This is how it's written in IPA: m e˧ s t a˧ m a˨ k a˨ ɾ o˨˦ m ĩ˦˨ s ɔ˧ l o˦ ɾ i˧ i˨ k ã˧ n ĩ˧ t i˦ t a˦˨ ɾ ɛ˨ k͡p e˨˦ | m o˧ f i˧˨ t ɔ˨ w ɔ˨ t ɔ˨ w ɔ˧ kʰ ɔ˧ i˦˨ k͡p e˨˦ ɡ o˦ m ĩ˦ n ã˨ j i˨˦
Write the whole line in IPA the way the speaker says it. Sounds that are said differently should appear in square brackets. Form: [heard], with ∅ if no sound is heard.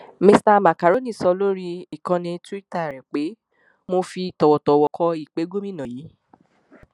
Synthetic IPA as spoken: m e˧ s t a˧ m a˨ k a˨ ɾ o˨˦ [n] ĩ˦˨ s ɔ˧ l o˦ ɾ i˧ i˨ k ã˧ n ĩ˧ t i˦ t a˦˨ ɾ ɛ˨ k͡p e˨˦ | m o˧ f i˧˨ t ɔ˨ w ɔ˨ t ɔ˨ w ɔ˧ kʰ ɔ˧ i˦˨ k͡p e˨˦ ɡ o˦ m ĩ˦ n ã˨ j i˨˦